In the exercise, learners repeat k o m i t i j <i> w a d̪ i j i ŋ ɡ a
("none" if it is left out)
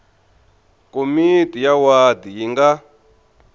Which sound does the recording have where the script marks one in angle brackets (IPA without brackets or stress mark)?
a